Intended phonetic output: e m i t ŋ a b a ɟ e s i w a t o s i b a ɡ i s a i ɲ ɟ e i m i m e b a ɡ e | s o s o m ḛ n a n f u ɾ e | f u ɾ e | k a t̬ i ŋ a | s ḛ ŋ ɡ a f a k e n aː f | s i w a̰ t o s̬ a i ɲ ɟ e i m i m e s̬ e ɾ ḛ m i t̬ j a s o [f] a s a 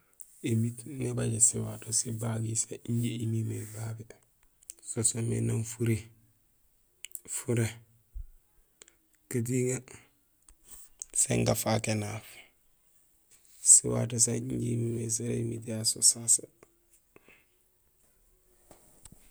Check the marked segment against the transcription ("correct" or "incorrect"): incorrect